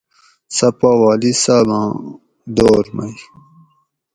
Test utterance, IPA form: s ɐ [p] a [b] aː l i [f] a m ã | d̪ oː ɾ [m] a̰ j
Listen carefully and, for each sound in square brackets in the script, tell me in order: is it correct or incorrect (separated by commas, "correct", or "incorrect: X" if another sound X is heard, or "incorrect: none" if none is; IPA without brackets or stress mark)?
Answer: correct, incorrect: w, incorrect: s, correct